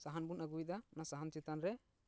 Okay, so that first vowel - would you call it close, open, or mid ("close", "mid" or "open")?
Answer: open